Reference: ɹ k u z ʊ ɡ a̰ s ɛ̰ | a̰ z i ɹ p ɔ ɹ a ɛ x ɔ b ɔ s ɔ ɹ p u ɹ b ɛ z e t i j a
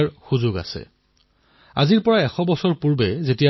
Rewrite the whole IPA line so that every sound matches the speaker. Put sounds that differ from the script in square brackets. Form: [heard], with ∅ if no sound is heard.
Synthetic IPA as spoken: ɹ [x] u z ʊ ɡ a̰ s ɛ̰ | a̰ z i ɹ p ɔ ɹ a ɛ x ɔ b ɔ s ɔ ɹ p u ɹ b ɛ z e t i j a

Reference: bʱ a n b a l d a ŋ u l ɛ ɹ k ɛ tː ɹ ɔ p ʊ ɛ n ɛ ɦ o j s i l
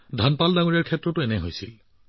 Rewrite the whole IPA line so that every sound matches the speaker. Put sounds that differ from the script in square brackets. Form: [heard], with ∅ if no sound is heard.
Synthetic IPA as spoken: [dʱ] a n [p] a l d a ŋ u [ɹ] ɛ ɹ [kʰ] ɛ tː ɹ ɔ [t] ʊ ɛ n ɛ ɦ o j s i l

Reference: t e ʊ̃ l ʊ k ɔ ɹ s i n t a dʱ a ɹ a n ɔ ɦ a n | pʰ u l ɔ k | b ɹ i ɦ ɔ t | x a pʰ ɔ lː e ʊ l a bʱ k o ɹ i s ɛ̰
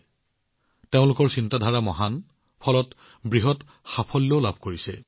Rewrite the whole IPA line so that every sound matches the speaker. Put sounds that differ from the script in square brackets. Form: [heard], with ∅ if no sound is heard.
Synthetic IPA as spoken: t e ʊ̃ l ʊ k ɔ ɹ s i n t a dʱ a ɹ a [m] ɔ ɦ a n | pʰ [ɔ] l ɔ [t] | b ɹ i ɦ ɔ t | x a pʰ ɔ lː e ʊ l a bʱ k o ɹ i s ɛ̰

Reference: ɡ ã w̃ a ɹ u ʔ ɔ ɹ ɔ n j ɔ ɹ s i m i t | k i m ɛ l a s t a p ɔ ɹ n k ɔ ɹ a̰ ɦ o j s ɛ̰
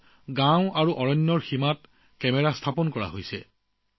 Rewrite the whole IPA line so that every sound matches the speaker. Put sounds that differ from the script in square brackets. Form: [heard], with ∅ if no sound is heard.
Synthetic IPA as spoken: ɡ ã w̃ a ɹ u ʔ ɔ ɹ ɔ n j ɔ ɹ [x] i m [a] t | k [ɛ] m ɛ [ɹ] a s [tʰ] a p ɔ [∅] n k ɔ ɹ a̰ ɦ o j s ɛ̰

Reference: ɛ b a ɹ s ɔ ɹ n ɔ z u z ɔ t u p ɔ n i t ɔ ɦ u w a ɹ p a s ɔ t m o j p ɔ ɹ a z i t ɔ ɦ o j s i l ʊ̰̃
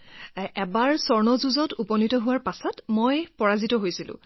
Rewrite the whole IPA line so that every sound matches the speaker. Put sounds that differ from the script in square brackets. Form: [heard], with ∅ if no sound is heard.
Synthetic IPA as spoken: ɛ b a ɹ s ɔ ɹ n ɔ z u z ɔ t u p ɔ n i t ɔ ɦ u w a ɹ p a s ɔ t m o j p ɔ ɹ a z i t ɔ ɦ o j s i l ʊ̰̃

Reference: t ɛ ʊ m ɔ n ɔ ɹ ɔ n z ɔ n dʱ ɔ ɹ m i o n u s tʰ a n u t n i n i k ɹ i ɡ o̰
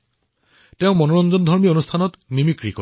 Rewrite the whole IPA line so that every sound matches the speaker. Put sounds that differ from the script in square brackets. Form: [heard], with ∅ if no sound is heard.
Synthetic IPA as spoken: t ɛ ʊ m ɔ n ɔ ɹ ɔ n z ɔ n dʱ ɔ ɹ m i o n u s tʰ a n [ɔ] t n i [m] i k ɹ i [k] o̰

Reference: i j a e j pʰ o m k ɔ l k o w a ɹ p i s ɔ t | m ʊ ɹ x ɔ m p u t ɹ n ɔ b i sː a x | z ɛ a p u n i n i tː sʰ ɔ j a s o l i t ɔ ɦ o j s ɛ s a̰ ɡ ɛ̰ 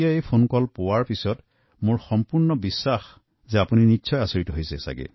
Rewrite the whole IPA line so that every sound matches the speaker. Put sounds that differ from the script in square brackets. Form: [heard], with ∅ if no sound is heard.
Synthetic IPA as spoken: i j a e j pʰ o [n] k ɔ l [p] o w a ɹ p i s ɔ t | m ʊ ɹ x ɔ m p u [∅] ɹ n ɔ b i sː a x | z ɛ a p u n i n i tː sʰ ɔ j a s o [ɹ] i t ɔ ɦ o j s ɛ s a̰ ɡ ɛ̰

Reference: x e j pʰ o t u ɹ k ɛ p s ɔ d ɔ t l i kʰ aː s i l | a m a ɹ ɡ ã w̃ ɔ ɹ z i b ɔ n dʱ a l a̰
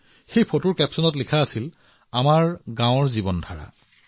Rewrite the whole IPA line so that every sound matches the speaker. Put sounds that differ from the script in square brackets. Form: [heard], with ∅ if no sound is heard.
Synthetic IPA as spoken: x e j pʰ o t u ɹ k ɛ p s ɔ [n] ɔ t l i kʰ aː s i l | a m a ɹ ɡ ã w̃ ɔ ɹ z i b ɔ n dʱ a [ɹ] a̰

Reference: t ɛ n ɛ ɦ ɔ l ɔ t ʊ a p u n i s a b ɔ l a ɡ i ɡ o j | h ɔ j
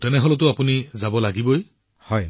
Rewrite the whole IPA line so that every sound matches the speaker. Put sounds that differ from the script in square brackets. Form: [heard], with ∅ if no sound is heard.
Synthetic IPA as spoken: t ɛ n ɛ ɦ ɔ l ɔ t ʊ a p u n i [z] a b ɔ l a ɡ i [b] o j | h ɔ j

